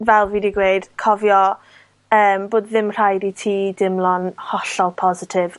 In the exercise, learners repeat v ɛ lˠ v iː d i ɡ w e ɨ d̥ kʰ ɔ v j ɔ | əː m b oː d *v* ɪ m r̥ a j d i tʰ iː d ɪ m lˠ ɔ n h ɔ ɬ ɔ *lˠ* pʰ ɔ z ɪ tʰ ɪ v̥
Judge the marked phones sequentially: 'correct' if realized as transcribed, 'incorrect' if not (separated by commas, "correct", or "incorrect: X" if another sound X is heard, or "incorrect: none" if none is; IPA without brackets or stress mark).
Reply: incorrect: ð, correct